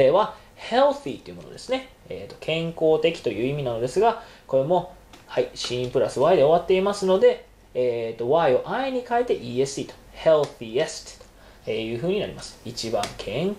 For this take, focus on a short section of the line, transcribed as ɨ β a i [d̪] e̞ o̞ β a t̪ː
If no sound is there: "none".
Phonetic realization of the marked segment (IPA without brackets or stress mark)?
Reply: d̪